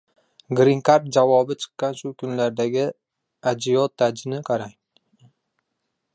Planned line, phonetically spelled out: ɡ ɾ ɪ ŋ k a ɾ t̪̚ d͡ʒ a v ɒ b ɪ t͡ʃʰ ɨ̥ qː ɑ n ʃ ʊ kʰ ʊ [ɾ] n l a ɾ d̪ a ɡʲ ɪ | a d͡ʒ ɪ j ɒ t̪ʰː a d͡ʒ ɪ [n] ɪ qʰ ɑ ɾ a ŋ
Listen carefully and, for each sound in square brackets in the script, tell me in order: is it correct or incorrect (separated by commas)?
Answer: incorrect, correct